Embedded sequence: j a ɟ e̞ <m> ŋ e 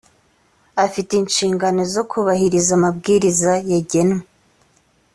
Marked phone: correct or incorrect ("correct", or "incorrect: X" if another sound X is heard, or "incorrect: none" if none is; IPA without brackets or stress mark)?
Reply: incorrect: n